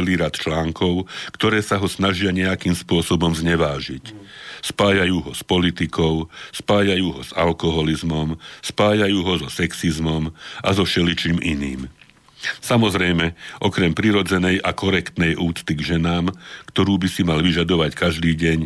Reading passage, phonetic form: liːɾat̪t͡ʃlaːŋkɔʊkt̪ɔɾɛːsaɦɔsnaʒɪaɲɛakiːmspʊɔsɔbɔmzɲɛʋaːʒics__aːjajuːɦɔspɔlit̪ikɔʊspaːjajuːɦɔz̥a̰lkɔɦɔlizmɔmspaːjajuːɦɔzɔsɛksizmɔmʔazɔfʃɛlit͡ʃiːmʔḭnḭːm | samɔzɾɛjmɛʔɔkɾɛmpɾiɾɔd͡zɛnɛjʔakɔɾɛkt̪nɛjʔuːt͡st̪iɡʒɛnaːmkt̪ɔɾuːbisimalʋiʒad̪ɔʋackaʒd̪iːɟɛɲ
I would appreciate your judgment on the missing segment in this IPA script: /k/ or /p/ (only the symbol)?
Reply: p